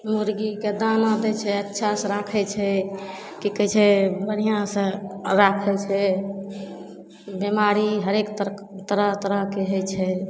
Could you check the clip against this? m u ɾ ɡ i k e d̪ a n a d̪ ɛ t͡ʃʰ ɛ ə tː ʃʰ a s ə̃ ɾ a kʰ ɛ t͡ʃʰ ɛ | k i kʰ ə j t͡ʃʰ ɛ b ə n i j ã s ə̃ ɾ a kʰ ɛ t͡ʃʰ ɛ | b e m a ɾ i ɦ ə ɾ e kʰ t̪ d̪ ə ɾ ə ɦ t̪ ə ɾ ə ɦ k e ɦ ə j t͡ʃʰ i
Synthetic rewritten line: m u ɾ ɡ i k e d̪ a n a d̪ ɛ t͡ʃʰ ɛ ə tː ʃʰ a s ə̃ ɾ a kʰ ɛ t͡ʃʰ ɛ | k i k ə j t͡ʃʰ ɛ b ə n i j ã s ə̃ ɾ a kʰ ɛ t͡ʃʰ ɛ | b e m a ɾ i ɦ ə ɾ e k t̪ t̪ ə ɾ ə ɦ t̪ ə ɾ ə ɦ k e ɦ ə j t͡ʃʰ ɛ